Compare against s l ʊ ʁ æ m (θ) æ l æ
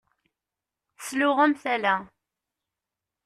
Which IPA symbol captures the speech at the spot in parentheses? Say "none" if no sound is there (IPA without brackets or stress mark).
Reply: θ